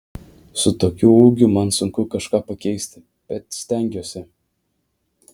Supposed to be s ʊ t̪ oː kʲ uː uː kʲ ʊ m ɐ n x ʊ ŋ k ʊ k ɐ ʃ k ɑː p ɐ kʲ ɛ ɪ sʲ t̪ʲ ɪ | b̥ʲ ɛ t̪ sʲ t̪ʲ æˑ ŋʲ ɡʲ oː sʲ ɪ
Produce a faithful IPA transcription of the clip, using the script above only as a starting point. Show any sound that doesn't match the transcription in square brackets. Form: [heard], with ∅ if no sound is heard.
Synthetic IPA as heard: s ʊ t̪ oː kʲ uː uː [ɡʲ] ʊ m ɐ n [s] ʊ ŋ k ʊ k ɐ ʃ k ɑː p ɐ kʲ ɛ ɪ sʲ t̪ʲ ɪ | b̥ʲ ɛ t̪ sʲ t̪ʲ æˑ ŋʲ ɡʲ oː sʲ ɪ